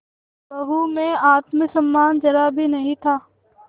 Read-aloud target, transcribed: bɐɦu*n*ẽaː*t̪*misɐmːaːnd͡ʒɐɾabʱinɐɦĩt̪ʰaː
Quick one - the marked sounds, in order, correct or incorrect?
incorrect: m, correct

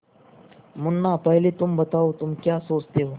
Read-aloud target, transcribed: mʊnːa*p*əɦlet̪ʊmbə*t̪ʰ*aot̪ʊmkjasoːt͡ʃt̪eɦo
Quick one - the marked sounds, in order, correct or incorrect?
correct, incorrect: t̪

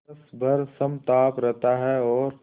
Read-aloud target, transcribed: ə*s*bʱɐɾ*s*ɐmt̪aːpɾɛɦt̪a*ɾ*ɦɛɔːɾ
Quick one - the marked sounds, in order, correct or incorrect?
correct, correct, incorrect: none

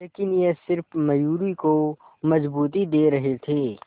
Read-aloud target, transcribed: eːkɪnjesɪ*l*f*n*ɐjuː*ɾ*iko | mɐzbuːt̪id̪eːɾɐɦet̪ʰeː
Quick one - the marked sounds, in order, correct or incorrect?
incorrect: ɾ, incorrect: m, correct

